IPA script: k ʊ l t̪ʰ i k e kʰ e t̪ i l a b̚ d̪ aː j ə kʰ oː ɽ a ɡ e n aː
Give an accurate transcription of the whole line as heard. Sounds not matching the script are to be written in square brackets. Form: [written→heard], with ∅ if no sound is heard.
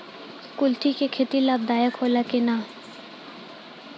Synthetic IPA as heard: k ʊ l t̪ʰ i k e kʰ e t̪ i l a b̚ d̪ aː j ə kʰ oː [ɽ→l] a [ɡ→k] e n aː